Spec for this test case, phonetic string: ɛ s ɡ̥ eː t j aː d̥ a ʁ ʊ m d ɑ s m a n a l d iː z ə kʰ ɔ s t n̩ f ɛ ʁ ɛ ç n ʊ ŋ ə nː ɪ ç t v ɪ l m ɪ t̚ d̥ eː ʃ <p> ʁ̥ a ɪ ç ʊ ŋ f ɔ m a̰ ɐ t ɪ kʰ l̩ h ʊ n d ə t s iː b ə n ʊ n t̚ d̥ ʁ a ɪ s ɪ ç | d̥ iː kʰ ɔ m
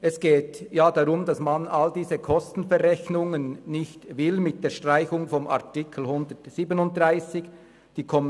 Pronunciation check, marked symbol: incorrect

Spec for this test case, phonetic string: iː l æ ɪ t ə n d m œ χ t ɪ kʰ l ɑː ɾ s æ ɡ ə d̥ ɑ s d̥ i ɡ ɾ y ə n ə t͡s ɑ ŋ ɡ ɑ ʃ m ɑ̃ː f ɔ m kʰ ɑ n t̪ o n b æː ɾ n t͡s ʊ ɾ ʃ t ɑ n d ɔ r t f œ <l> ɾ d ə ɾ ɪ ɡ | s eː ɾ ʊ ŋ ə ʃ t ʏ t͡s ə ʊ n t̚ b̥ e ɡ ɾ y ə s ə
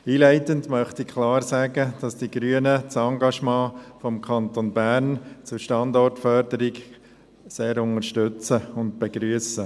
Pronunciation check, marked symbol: incorrect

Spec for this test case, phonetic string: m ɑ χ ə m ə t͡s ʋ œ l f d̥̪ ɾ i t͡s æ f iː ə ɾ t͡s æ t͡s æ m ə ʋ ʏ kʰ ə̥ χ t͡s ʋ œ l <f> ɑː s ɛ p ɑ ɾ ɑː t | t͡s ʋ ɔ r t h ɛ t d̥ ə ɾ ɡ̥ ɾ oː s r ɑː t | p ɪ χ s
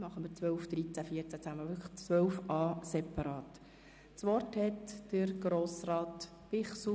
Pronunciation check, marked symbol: correct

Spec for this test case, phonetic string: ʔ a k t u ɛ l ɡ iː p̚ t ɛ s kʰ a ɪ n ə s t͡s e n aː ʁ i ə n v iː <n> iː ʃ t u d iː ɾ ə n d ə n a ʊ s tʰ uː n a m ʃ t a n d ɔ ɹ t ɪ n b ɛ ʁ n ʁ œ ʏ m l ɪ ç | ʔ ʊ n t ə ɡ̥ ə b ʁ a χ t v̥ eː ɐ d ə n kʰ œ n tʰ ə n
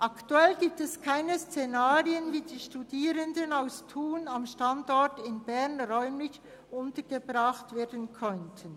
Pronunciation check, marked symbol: incorrect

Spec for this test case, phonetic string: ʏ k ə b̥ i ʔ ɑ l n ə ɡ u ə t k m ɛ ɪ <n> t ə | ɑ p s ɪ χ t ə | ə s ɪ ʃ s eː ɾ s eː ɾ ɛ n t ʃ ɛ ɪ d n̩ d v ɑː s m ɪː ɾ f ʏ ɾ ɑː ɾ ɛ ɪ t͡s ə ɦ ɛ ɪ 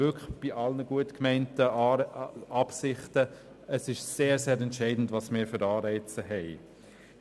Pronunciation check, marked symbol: correct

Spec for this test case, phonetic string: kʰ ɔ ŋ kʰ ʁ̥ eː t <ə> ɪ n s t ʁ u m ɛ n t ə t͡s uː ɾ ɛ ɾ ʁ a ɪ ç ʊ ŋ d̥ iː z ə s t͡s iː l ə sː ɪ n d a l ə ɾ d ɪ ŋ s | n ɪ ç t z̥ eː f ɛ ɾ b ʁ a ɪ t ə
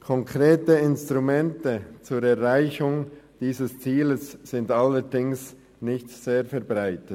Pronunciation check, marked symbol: correct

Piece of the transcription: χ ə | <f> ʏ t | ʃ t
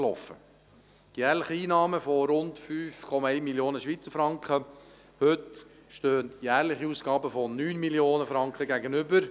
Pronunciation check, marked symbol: incorrect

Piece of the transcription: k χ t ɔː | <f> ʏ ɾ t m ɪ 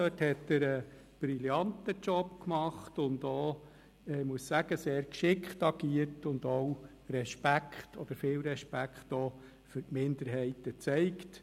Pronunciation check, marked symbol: correct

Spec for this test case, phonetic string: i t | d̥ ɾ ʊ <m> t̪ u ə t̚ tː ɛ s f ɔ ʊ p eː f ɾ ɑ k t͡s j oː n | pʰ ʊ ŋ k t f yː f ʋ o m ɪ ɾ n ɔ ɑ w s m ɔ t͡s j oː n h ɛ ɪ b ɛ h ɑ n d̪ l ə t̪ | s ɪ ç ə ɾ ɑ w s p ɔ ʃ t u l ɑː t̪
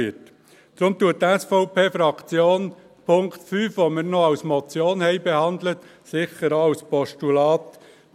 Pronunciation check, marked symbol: correct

